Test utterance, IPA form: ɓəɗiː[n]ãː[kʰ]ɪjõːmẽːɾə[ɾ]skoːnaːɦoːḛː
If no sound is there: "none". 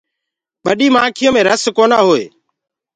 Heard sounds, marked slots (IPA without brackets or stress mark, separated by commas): m, kʰ, none